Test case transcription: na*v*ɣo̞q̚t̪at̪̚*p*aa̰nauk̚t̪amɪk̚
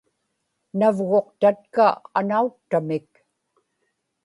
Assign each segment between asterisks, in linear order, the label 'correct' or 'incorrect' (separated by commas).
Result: correct, incorrect